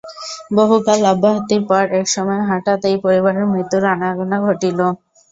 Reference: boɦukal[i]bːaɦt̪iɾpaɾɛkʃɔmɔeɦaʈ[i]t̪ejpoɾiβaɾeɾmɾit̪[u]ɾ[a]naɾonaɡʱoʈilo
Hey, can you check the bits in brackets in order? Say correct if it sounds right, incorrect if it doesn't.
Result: incorrect: a, incorrect: a, correct, correct

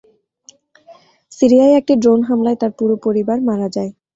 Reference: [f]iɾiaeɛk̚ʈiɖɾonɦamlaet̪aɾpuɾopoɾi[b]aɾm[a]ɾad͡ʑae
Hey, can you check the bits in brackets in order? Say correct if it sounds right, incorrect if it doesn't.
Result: incorrect: s, correct, correct

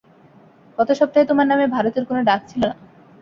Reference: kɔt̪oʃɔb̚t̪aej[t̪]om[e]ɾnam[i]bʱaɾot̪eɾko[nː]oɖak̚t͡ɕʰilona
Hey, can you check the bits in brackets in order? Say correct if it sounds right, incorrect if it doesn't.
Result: correct, incorrect: a, incorrect: e, incorrect: n

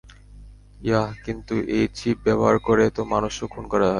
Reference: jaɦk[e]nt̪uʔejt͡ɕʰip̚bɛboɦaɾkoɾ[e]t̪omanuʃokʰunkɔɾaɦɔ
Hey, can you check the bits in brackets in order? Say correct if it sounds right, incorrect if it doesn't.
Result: incorrect: i, correct

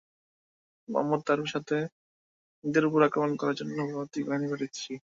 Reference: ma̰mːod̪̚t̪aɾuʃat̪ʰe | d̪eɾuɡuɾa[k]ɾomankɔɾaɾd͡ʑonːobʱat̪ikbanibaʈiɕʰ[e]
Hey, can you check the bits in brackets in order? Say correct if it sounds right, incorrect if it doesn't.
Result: correct, incorrect: i

